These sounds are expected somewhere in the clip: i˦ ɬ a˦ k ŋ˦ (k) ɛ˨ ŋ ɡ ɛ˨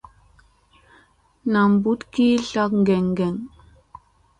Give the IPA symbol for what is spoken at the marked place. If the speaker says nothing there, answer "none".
ɡ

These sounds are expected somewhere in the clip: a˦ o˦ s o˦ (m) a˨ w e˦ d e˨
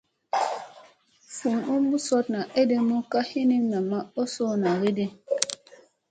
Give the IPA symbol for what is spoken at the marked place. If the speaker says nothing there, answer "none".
n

